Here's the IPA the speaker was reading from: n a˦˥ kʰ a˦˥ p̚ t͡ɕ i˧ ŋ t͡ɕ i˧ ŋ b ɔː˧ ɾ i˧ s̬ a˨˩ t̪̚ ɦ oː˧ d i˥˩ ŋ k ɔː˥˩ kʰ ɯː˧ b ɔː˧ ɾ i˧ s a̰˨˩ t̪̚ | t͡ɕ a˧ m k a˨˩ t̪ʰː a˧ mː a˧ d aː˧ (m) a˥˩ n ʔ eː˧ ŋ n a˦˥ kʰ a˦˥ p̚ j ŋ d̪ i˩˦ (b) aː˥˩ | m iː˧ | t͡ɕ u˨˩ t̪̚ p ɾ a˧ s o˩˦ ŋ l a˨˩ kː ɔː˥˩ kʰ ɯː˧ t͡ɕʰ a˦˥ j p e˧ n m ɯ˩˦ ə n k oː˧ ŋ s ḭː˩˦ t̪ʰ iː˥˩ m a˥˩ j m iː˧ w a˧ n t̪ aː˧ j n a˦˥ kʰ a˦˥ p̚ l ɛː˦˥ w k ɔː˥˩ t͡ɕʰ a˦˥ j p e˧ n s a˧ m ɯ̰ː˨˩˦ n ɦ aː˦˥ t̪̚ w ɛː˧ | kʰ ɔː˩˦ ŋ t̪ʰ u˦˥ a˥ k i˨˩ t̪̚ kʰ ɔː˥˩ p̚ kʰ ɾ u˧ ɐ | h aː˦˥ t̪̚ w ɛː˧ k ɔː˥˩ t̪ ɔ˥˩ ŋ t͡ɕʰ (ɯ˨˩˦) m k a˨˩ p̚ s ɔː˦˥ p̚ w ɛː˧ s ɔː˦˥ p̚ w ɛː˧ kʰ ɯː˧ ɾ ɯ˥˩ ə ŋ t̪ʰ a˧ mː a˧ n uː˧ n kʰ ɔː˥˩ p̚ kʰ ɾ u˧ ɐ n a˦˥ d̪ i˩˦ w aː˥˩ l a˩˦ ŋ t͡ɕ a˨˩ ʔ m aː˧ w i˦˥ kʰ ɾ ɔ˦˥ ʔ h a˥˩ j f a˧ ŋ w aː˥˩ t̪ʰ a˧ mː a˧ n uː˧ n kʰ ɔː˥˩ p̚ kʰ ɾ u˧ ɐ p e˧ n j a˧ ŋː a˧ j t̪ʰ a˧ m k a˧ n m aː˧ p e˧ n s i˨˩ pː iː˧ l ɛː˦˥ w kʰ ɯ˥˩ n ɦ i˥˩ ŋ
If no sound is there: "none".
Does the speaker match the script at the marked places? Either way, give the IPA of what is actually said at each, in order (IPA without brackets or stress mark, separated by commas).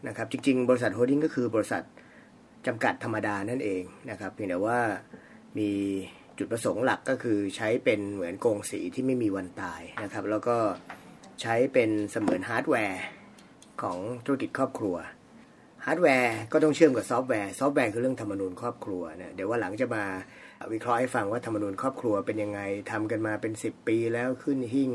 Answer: n, w, ɯ˥˩˨